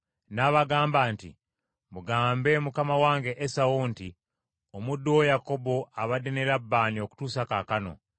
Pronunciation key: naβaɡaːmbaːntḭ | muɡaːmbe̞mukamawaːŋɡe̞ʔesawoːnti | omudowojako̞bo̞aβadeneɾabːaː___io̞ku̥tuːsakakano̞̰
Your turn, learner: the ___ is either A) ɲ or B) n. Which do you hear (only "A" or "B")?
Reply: B